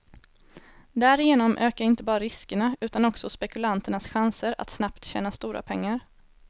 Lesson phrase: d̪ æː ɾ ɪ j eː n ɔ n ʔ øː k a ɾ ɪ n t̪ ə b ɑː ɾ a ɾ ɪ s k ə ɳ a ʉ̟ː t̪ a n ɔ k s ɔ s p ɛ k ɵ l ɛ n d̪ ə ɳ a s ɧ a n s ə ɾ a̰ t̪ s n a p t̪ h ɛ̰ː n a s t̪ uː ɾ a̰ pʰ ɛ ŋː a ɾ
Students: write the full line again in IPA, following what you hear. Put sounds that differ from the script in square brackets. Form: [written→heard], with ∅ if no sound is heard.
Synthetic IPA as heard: d̪ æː ɾ ɪ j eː n ɔ [n→m] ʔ øː k a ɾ ɪ n t̪ ə b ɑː ɾ a ɾ ɪ s k ə ɳ a ʉ̟ː t̪ a n ɔ k s ɔ s p ɛ k ɵ l [ɛ→a] n [d̪→t̪] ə ɳ a s ɧ a n s ə ɾ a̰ t̪ s n a p t̪ [h→ɕ] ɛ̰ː n a s t̪ uː ɾ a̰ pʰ ɛ ŋː a ɾ